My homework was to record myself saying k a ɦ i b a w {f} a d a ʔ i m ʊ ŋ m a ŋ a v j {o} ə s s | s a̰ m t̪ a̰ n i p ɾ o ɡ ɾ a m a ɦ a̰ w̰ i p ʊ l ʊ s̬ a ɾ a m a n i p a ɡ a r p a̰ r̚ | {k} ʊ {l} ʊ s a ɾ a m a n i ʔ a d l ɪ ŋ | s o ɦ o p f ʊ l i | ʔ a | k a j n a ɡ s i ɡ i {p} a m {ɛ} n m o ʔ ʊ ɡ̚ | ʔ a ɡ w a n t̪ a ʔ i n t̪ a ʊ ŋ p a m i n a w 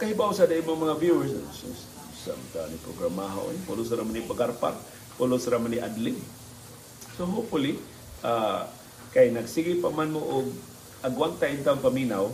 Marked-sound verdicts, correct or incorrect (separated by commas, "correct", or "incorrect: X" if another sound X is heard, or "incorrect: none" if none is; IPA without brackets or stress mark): incorrect: s, incorrect: u, incorrect: p, correct, correct, incorrect: a